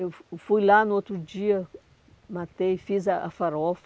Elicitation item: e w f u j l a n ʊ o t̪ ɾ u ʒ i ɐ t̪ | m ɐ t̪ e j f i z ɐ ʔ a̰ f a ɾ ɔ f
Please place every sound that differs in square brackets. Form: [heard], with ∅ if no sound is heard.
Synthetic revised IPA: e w f u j l a n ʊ o t̪ ɾ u [d͡ʒ] i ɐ [∅] | m [a] t̪ e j f i z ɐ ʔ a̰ f a ɾ ɔ f